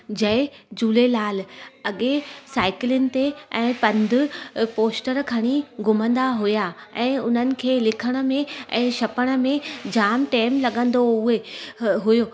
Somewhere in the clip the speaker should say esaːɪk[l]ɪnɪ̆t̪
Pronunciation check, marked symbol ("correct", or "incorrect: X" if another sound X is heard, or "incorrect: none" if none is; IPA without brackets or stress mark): correct